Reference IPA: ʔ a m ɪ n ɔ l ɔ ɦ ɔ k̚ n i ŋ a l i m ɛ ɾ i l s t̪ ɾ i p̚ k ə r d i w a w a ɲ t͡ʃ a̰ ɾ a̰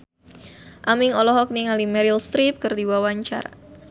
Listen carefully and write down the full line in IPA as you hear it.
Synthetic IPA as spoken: ʔ a m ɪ ŋ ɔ l ɔ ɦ ɔ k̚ n i ŋ a l i m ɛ ɾ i l s t̪ ɾ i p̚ k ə r d i w a w a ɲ t͡ʃ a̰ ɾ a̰